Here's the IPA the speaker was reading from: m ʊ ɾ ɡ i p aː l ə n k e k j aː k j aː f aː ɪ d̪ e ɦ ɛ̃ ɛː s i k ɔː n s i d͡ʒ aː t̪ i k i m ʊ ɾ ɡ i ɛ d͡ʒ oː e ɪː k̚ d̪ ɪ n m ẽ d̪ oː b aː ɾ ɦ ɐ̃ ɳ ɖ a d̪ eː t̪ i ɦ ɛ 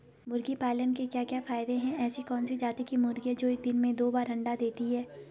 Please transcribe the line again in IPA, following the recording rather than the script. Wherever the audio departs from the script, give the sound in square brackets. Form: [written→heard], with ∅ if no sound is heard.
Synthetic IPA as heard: m ʊ ɾ ɡ i p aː l ə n k e k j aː k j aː f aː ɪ d̪ e ɦ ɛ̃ ɛː s i k ɔː n s i d͡ʒ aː t̪ i k i m ʊ ɾ ɡ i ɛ d͡ʒ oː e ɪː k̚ d̪ ɪ n m ẽ d̪ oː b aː ɾ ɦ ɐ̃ ɳ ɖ a d̪ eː t̪ i ɦ [ɛ→ɛː]